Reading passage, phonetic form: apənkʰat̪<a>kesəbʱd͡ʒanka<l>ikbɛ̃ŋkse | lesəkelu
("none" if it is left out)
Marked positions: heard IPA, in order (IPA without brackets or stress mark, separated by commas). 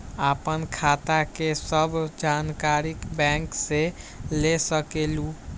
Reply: a, ɾ